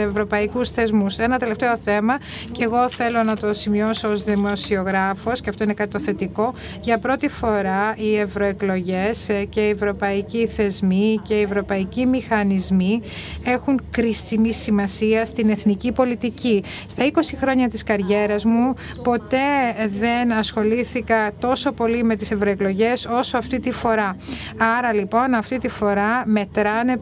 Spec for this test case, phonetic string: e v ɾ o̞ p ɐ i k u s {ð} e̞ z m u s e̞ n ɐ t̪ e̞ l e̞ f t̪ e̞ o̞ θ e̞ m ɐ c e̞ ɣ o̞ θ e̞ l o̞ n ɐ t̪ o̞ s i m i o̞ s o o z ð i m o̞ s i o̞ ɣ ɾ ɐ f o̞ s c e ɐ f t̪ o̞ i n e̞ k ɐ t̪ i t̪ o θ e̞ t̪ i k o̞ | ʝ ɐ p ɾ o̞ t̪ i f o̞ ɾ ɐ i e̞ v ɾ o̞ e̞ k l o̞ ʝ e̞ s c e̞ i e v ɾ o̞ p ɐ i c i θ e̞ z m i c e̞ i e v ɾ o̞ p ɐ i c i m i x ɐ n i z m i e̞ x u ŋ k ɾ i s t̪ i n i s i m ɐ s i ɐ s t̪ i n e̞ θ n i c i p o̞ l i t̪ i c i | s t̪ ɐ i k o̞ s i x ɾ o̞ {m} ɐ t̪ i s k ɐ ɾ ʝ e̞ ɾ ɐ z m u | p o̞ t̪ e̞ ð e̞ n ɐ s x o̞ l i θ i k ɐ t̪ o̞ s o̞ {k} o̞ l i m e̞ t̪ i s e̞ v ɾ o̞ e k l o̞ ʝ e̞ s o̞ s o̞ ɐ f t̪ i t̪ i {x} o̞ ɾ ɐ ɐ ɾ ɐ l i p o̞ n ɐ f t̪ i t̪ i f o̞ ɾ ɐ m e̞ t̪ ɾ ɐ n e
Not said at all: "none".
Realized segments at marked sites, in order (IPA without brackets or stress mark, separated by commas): θ, ɲ, p, f